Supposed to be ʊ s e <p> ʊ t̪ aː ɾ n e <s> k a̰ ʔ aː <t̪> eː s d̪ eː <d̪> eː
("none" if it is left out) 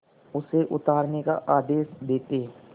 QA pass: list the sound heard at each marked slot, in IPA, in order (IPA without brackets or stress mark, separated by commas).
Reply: ʔ, none, d̪, t̪